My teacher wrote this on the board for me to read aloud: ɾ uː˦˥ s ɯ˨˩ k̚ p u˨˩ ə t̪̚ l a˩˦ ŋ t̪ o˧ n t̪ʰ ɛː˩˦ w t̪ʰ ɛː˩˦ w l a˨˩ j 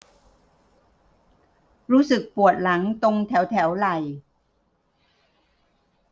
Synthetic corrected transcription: ɾ uː˦˥ s ɯ˨˩ k̚ p u˨˩ ə t̪̚ l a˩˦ ŋ t̪ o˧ ŋ t̪ʰ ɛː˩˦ w t̪ʰ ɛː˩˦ w l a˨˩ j